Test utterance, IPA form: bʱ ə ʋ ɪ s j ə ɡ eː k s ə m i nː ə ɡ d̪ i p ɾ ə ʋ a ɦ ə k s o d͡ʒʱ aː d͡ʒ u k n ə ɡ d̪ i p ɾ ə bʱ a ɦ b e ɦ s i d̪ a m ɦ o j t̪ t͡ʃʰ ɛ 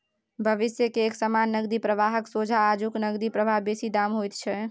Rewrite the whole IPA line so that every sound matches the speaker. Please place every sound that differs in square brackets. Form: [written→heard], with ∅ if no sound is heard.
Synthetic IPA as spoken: bʱ ə ʋ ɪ s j ə [ɡ→k] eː k s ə m [i→a] nː ə ɡ d̪ i p ɾ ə ʋ a ɦ ə k s o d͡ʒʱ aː d͡ʒ u k n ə ɡ d̪ i p ɾ ə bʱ a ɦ b e [ɦ→∅] s i d̪ a m ɦ o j t̪ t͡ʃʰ ɛ